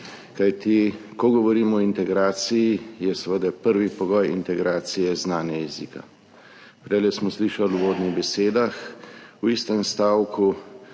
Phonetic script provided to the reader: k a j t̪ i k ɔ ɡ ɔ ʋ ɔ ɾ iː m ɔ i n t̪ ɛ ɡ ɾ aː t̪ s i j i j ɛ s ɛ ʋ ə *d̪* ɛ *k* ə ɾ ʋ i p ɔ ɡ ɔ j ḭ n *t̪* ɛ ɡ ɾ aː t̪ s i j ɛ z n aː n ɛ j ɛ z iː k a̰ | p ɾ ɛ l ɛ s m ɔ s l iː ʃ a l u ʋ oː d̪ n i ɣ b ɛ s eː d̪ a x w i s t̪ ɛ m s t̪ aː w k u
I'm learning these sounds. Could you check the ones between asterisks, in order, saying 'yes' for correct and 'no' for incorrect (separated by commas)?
yes, no, yes